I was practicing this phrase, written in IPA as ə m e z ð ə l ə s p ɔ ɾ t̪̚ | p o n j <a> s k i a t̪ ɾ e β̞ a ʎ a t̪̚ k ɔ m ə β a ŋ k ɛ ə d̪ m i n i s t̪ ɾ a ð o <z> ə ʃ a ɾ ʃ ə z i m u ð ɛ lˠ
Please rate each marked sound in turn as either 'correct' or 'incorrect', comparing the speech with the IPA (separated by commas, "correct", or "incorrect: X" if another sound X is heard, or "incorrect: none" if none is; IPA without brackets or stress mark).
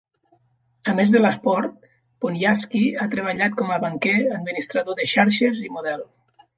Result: correct, incorrect: ð